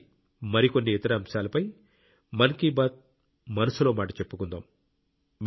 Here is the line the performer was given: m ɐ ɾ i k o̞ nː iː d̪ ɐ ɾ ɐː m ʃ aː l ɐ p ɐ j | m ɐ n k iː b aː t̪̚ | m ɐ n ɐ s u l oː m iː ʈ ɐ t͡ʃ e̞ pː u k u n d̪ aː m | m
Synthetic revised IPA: m ɐ ɾ i k o̞ nː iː t̪ ɐ ɾ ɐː m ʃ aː l ɐ p ɐ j | m ɐ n k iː b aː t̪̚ | m ɐ n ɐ s u l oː m aː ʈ ɐ t͡ʃ e̞ pː u k u n d̪ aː m | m